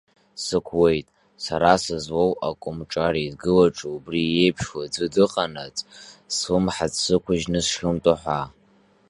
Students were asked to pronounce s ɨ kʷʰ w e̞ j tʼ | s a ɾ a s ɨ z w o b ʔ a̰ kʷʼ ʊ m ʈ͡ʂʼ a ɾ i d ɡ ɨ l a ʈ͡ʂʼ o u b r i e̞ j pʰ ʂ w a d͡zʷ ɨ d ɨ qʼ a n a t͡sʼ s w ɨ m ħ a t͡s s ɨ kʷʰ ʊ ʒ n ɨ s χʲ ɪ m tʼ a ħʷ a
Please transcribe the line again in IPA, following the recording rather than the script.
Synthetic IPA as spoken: s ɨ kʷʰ w e̞ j tʼ | s a ɾ a s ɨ z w o w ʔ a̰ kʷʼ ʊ m ʈ͡ʂʼ a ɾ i d ɡ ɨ l a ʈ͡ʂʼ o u b r i e̞ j pʰ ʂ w a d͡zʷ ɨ d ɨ qʼ a n a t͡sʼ s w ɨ m ħ a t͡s s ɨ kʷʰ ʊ ʒ n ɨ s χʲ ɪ m tʼ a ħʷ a

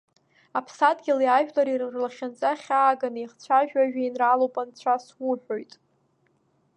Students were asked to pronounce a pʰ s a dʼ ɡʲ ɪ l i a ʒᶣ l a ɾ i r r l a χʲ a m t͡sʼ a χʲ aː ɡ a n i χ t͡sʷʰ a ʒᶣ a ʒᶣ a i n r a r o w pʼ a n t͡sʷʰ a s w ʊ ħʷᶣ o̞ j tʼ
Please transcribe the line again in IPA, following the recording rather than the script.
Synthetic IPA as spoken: a pʰ s a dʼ ɡʲ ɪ l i a ʒᶣ l a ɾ i r r l a χʲ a n t͡sʼ a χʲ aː ɡ a n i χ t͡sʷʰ a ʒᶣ a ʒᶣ a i n r a l o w pʼ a n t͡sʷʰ a s w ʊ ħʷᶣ o̞ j tʼ

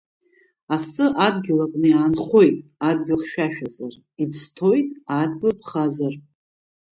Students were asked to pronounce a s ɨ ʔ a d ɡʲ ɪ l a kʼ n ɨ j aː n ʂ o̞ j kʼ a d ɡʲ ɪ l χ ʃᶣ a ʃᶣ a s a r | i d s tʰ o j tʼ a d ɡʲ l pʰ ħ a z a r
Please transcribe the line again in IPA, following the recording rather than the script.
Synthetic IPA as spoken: a s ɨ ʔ a d ɡʲ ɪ l a kʼ n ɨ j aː n χ o̞ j tʼ a d ɡʲ ɪ l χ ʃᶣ a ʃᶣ a z a r | i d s tʰ o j tʼ a d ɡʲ l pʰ χ a z a r

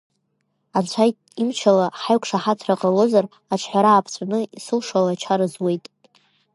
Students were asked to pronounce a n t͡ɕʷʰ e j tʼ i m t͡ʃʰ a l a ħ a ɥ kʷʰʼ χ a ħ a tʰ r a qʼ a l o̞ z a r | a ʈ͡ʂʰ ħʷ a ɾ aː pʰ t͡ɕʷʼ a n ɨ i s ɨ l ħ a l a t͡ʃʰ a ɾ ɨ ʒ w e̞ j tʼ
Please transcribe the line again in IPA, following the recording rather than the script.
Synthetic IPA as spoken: a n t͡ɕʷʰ a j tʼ i m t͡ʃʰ a l a ħ a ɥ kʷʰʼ ʂ a ħ a tʰ r a qʼ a l o̞ z a r | a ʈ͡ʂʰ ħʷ a ɾ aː pʰ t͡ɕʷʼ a n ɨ i s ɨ l ʂ a l a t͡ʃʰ a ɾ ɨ z w e̞ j tʼ

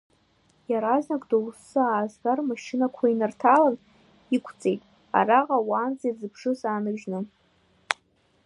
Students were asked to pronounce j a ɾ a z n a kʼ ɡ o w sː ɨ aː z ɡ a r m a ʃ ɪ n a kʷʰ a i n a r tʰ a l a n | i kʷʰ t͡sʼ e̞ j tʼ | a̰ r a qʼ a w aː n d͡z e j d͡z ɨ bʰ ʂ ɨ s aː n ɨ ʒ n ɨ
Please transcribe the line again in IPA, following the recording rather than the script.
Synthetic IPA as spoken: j a ɾ a z n a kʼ d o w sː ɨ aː z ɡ a r m a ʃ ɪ n a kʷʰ a i n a r tʰ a l a n | i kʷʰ t͡sʼ e̞ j tʼ | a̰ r a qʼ a w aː n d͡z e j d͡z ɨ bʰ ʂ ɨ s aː n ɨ ʒ n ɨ

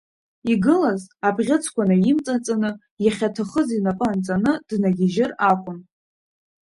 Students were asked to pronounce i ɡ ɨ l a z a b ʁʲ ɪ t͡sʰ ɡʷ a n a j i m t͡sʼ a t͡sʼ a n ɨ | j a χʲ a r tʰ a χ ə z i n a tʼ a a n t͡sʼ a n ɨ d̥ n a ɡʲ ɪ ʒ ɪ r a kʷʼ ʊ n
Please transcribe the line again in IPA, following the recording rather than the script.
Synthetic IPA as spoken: i ɡ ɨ l a z a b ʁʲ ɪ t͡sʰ kʷ a n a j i m t͡sʼ a t͡sʼ a n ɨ | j a χʲ a tʰ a χ ə z i n a pʼ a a n t͡sʼ a n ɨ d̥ n a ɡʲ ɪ ʒ ɪ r a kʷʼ ʊ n

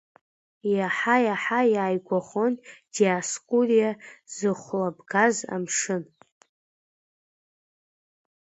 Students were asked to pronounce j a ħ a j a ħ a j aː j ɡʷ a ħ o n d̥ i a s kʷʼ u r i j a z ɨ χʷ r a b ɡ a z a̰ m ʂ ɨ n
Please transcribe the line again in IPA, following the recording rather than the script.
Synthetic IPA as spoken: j a ħ a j a ħ a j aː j ɡʷ a χ o n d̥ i a s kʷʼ u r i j a z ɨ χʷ l a b ɡ a z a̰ m ʂ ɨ n

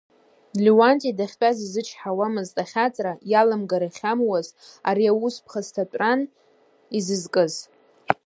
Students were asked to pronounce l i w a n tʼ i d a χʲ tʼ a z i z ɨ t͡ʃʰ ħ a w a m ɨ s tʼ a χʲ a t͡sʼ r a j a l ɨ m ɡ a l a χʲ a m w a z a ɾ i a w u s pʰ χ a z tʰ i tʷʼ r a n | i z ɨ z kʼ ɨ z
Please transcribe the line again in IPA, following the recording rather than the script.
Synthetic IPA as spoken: l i w a n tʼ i d a χʲ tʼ a z i z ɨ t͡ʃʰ ħ a w a m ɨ z tʼ a χʲ a t͡sʼ r a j a l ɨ m ɡ a ɾ a χʲ a m w a z a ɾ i a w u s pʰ χ a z tʰ a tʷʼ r a n | i z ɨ z kʼ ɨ z

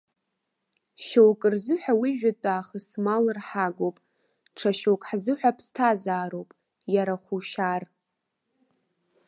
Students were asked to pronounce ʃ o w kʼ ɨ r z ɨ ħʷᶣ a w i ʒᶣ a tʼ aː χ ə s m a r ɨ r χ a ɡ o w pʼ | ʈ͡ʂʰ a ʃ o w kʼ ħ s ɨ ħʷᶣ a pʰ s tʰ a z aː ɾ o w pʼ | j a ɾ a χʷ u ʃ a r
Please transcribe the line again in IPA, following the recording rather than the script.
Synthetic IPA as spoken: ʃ o w kʼ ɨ r z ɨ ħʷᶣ a w i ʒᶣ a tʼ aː χ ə s m a l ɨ r ħ a ɡ o w pʼ | ʈ͡ʂʰ a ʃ o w kʼ ħ z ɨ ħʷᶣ a pʰ s tʰ a z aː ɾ o w pʼ | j a ɾ a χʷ u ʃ a r

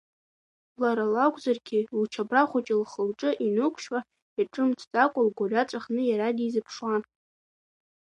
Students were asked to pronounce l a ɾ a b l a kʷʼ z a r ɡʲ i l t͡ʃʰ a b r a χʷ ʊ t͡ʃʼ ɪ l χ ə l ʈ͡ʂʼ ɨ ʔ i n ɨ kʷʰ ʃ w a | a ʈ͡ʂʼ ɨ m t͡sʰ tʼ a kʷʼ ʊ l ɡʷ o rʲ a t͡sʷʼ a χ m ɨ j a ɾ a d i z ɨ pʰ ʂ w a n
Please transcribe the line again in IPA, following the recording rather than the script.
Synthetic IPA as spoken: l a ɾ a l a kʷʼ z a r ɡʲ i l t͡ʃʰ a b r a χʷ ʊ t͡ʃʼ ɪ l χ ə l ʈ͡ʂʼ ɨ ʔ i n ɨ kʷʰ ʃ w a | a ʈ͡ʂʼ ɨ m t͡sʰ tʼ a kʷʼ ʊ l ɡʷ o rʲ a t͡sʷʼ a χ n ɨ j a ɾ a d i z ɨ pʰ ʂ w a n

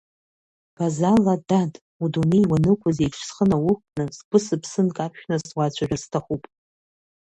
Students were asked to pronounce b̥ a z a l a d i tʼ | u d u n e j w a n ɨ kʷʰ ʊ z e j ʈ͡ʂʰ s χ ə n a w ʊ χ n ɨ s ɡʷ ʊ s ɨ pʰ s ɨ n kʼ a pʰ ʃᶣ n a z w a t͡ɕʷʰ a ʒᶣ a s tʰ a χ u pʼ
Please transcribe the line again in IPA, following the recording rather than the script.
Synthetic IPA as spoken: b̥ a z a l a d a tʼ | u d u n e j w a n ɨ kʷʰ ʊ z e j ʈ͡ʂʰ s χ ə n a w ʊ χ n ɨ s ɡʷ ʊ s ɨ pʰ s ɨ n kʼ a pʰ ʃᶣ n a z w a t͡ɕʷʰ a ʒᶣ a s tʰ a χ u pʼ

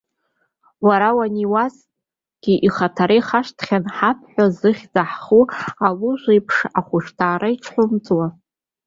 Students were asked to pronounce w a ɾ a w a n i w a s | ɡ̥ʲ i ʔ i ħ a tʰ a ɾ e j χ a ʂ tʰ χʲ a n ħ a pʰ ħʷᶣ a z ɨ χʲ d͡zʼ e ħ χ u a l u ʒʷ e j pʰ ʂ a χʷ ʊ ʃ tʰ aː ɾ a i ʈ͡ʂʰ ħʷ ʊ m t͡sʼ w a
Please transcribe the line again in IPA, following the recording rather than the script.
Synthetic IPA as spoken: w a ɾ a w a n i w a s | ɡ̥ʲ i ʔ i χ a tʰ a ɾ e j χ a ʂ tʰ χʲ a n ħ a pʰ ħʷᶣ a z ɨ χʲ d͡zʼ a ħ χ u a l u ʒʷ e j pʰ ʂ a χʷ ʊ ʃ tʰ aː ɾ a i ʈ͡ʂʰ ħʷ ʊ m t͡sʼ w a

